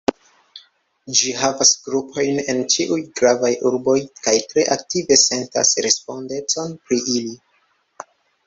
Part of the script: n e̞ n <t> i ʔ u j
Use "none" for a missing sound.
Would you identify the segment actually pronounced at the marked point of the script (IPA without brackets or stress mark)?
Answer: t͡ʃ